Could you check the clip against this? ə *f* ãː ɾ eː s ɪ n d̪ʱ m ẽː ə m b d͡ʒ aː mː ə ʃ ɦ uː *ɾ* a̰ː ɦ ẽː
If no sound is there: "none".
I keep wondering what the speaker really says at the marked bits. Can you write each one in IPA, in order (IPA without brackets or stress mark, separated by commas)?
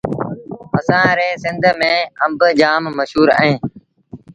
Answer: s, ɾ